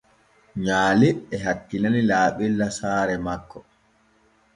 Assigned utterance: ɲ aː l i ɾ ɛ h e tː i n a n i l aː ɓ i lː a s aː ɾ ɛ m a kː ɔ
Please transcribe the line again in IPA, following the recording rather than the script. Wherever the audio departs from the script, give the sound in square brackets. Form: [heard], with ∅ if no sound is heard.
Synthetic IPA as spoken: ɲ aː l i [∅] ɛ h [a] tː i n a n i l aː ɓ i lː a s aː ɾ ɛ m a kː ɔ